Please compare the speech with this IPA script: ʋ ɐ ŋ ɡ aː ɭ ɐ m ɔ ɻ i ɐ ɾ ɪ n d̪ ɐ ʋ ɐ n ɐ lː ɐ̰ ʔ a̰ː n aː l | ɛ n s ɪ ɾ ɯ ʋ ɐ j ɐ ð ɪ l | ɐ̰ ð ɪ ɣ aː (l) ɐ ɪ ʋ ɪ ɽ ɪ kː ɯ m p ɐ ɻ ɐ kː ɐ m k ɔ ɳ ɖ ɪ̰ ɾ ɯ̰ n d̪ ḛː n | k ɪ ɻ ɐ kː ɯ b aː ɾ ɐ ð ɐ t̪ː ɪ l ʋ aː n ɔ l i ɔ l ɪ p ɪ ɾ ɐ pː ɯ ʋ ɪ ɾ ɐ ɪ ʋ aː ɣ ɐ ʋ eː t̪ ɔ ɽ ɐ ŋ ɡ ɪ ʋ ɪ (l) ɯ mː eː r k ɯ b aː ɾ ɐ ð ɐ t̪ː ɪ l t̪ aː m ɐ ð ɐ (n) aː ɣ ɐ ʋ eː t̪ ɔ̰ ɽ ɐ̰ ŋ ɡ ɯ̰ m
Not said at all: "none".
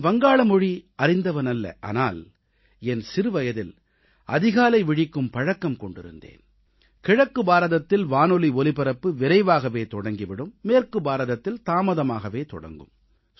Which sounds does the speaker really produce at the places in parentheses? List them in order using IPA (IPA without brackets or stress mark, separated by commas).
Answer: l, ɽ, m